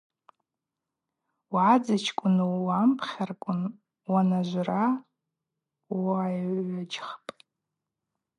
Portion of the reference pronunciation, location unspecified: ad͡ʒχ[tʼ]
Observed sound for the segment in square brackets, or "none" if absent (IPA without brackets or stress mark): pʼ